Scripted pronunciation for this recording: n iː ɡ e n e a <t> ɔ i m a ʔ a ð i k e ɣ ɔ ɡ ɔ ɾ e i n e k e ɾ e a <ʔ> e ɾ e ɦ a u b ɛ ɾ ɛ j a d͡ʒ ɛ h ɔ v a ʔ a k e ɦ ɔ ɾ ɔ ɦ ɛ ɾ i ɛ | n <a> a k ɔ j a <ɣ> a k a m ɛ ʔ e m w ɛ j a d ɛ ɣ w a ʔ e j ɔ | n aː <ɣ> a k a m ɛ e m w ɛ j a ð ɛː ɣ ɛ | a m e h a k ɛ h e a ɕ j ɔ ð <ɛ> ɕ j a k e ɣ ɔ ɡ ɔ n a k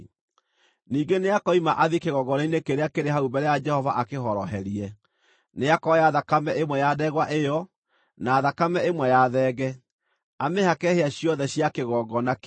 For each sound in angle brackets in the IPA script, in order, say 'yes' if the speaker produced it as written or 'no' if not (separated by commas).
no, no, no, no, no, yes